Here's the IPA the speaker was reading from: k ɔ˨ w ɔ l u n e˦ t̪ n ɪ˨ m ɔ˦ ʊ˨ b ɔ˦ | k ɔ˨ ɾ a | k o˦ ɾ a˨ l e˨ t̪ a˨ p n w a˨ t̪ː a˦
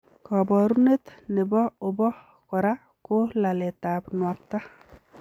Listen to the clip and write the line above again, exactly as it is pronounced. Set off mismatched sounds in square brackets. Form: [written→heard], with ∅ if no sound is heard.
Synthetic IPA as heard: k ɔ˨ [w→b] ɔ [l→ɾ] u n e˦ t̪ n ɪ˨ [m→b] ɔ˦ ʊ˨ b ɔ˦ | k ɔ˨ ɾ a | k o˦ [ɾ→l] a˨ l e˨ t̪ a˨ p n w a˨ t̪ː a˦